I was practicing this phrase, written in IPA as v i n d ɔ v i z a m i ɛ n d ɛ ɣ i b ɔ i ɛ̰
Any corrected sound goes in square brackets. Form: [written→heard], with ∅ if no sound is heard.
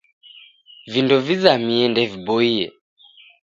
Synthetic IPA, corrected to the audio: v i n d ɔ v i z a m i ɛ n d ɛ [ɣ→v] i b ɔ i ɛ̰